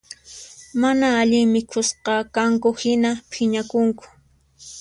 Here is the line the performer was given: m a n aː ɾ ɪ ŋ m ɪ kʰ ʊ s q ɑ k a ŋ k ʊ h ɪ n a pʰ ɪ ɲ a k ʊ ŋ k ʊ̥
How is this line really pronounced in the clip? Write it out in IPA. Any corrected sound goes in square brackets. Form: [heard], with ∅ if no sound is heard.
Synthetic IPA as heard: m a n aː [ʎ] ɪ ŋ m ɪ kʰ ʊ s q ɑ k a ŋ k ʊ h ɪ n a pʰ ɪ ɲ a k ʊ ŋ k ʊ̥